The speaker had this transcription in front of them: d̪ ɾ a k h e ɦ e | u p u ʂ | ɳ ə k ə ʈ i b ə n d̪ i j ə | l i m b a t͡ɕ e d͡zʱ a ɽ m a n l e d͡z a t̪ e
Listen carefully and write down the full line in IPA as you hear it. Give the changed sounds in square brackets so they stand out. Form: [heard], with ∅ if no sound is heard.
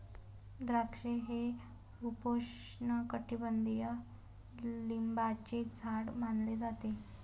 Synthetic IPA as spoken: d̪ ɾ a k [ʂ] e ɦ e | u p [o] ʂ | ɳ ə k ə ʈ i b ə n d̪ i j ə | l i m b a t͡ɕ e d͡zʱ a ɽ m a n l e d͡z a t̪ e